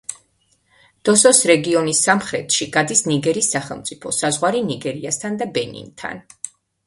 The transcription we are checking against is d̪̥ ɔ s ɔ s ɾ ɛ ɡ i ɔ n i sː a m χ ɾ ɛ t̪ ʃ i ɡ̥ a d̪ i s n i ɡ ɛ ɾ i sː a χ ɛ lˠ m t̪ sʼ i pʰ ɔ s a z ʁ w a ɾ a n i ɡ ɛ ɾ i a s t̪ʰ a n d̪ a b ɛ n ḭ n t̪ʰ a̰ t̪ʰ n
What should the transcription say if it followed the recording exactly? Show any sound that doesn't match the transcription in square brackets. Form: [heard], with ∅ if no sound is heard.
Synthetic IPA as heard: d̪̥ ɔ s ɔ s ɾ ɛ ɡ i ɔ n i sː a m χ ɾ ɛ t̪ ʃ i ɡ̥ a d̪ i s n i ɡ ɛ ɾ i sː a χ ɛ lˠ m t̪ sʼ i pʰ ɔ s a z ʁ w a ɾ [i] n i ɡ ɛ ɾ i a s t̪ʰ a n d̪ a b ɛ n ḭ n t̪ʰ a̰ [∅] n